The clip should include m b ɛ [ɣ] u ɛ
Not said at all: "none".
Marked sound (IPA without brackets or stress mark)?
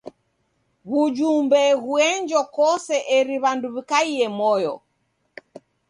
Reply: ɣ